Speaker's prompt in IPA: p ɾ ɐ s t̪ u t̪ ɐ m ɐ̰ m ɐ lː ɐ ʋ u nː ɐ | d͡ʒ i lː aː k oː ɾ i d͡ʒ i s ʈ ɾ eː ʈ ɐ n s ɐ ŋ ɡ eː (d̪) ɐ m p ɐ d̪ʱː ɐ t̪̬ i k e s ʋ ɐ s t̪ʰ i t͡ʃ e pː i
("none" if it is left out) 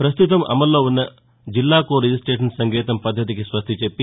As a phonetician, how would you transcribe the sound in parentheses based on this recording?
t̪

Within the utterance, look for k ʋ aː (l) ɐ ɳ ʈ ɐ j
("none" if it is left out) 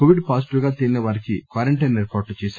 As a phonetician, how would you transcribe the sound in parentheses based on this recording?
ɾ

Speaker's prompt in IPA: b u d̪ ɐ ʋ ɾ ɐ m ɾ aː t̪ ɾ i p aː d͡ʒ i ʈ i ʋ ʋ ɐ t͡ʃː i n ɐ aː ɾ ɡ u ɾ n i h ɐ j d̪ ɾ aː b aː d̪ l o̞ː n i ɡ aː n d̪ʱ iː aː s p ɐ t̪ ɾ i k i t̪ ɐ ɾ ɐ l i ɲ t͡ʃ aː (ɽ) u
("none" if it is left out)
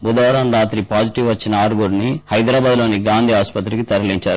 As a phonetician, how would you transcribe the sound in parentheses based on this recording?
ɾ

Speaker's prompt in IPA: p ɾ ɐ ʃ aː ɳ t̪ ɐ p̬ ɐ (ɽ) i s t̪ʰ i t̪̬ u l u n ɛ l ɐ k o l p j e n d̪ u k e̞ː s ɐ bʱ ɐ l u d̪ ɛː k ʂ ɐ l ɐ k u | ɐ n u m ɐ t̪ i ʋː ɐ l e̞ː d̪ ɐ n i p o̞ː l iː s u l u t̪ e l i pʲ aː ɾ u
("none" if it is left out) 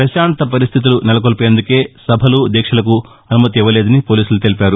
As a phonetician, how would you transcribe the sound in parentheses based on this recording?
ɾ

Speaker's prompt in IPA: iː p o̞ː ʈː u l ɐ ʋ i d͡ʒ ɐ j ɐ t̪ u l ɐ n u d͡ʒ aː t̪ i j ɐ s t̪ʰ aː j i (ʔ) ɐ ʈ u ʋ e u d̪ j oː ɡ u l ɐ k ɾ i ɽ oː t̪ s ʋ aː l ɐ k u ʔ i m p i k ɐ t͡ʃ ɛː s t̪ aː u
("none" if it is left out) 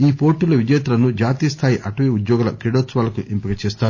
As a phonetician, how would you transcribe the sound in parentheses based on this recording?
ʔ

